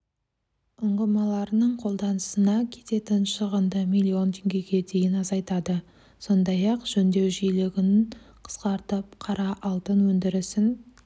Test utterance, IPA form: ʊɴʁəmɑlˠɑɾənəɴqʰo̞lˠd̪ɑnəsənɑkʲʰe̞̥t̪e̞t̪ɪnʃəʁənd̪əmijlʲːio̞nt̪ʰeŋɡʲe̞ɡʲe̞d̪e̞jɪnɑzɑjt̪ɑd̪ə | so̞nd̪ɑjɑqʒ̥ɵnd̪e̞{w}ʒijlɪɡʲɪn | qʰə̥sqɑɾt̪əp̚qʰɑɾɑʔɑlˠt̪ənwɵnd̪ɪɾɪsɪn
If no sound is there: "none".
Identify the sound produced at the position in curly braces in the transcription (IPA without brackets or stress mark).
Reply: w